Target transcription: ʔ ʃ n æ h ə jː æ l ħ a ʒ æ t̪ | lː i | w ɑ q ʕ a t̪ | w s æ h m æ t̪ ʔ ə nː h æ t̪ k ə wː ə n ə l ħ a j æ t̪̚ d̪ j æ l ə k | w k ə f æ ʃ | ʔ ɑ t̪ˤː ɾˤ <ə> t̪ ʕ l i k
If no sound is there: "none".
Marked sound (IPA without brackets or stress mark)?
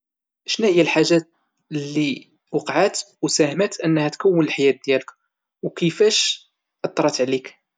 ɑ